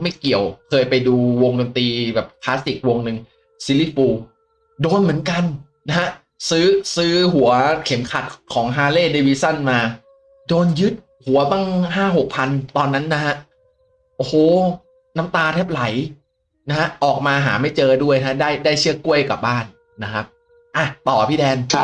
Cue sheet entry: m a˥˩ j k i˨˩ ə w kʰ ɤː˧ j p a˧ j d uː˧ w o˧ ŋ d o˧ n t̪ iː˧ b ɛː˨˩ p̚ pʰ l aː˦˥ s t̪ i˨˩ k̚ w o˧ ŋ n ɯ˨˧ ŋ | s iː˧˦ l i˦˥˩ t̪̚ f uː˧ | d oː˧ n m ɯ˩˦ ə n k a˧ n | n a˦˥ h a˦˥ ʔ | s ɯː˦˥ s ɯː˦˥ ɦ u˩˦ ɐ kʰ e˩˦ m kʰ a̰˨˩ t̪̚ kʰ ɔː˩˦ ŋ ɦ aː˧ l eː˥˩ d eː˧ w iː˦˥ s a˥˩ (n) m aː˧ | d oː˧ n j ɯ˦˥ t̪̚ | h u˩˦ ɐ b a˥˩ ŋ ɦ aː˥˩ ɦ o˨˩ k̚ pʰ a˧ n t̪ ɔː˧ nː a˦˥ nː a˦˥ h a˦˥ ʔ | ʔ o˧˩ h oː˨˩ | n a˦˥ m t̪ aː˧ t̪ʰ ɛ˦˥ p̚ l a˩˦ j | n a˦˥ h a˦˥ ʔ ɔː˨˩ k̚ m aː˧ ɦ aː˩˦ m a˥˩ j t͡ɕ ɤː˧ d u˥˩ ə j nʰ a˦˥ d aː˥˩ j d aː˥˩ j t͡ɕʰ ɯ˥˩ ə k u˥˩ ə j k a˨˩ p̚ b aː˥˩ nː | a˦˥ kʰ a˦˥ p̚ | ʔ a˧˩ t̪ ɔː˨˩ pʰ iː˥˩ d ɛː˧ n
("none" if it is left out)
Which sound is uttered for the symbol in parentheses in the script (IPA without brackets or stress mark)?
n